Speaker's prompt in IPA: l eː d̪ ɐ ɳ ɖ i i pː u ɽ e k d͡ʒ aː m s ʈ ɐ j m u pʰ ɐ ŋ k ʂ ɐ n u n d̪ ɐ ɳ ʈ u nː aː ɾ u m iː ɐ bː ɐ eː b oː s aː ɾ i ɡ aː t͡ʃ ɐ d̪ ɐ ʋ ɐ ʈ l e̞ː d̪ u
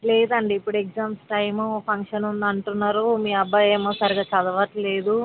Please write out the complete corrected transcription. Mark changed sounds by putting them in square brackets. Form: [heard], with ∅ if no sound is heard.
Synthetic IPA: l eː d̪ ɐ ɳ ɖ i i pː u ɽ e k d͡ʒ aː m s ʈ ɐ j m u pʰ ɐ ŋ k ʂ ɐ n u n d̪ ɐ ɳ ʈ u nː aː ɾ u m iː ɐ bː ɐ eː [m] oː s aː ɾ i ɡ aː t͡ʃ ɐ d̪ ɐ ʋ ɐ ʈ l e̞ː d̪ u